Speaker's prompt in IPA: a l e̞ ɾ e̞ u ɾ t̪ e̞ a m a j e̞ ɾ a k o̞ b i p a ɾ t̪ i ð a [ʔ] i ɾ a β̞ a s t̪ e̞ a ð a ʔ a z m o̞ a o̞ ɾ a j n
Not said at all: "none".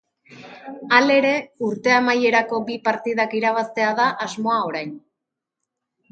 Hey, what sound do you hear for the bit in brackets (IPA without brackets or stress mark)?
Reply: k